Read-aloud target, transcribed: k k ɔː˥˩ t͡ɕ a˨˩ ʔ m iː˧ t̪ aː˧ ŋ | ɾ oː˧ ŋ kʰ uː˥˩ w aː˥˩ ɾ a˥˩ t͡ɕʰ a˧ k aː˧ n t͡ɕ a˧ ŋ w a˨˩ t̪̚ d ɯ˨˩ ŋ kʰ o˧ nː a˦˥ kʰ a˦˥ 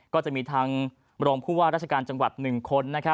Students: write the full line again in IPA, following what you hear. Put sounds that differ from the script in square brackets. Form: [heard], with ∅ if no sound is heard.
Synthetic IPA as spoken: k k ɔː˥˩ t͡ɕ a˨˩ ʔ m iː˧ [t̪ʰ] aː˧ ŋ | ɾ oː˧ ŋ [pʰ] uː˥˩ w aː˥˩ ɾ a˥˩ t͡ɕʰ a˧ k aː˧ n t͡ɕ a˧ ŋ w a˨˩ t̪̚ [n] ɯ˨˩ ŋ kʰ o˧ nː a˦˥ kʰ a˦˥